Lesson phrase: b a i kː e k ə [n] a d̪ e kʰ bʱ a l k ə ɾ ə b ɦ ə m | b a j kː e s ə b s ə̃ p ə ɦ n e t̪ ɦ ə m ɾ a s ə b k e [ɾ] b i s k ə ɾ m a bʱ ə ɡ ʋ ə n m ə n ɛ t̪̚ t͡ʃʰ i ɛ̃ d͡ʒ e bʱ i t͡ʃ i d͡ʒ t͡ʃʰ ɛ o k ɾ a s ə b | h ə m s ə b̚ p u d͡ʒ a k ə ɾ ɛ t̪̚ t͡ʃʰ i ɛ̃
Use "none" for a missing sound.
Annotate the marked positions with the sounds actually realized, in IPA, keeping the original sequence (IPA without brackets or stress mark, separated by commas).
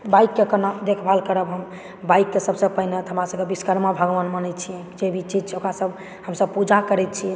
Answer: n, none